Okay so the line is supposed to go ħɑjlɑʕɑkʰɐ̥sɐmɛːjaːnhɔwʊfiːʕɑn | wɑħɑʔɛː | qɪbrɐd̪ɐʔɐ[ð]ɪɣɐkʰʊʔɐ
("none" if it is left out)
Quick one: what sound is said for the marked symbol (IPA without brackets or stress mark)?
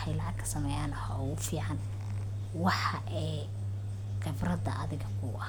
ð